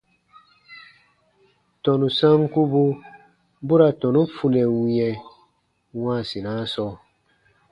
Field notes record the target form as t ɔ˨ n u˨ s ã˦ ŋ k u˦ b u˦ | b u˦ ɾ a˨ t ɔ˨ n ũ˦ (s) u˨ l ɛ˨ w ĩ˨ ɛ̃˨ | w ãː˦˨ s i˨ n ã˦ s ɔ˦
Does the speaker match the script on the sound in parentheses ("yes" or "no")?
no